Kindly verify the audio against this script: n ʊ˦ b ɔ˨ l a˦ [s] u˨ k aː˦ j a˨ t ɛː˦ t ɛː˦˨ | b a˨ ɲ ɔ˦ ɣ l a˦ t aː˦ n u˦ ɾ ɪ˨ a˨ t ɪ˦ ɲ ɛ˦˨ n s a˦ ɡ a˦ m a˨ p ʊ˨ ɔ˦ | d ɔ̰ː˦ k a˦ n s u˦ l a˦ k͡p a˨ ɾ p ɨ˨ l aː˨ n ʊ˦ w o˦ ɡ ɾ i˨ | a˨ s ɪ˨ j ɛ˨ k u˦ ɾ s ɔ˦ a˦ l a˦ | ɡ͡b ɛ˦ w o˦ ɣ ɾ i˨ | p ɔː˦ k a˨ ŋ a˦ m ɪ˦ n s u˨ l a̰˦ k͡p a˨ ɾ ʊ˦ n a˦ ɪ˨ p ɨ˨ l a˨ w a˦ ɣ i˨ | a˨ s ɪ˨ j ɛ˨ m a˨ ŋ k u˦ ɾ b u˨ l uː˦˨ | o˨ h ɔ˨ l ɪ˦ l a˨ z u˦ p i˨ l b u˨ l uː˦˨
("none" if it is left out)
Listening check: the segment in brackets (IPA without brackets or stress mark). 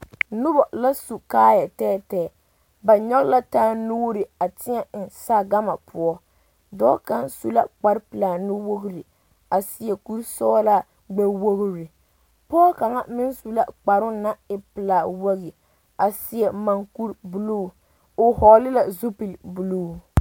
s